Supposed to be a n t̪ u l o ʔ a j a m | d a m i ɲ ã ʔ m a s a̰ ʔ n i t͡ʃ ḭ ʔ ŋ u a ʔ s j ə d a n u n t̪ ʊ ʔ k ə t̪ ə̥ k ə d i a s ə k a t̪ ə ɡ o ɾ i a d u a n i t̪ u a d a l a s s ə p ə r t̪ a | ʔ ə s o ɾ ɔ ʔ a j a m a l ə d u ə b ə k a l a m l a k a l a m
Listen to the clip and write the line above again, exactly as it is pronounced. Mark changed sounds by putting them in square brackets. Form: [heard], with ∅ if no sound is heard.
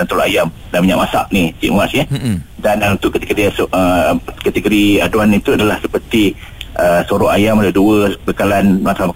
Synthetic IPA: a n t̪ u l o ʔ a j a m | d a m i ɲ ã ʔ m a s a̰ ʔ n i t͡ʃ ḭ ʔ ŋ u a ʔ s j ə d a n u n t̪ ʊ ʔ k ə t̪ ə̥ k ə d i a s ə k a t̪ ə ɡ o ɾ i a d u a n i t̪ u a d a l a [h] s ə p ə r t̪ [i] | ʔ ə s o ɾ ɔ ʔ a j a m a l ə d u ə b ə k a l a [n] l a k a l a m